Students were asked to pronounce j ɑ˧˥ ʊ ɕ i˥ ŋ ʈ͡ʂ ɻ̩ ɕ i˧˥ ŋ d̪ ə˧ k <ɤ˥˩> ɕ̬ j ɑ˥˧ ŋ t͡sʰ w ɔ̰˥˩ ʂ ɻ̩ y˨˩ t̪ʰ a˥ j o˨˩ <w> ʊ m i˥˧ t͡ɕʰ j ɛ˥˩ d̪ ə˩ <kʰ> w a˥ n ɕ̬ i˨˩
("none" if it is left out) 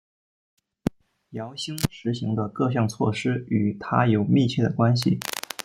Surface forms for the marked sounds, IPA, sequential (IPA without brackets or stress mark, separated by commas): ɤ˥˧, none, k